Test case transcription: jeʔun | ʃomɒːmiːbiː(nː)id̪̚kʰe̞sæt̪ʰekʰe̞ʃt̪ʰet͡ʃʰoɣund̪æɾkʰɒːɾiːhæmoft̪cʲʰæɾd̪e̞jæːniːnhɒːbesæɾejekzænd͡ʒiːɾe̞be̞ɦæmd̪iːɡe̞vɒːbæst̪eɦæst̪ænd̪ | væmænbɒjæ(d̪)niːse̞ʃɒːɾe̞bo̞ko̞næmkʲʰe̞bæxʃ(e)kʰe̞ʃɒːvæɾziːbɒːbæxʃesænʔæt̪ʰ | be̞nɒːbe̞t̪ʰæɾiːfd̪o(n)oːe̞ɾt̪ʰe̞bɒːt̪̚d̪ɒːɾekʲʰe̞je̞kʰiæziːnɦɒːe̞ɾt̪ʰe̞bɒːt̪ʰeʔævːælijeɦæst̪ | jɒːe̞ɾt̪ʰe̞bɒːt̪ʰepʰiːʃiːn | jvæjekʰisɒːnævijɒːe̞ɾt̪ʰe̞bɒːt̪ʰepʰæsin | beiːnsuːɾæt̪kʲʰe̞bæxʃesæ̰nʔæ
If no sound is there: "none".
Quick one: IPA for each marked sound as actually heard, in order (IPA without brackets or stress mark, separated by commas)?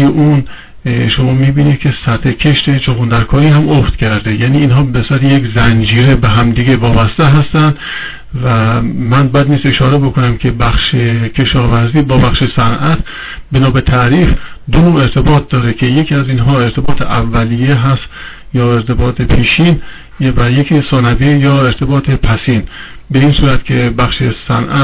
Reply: n, d̪, e, n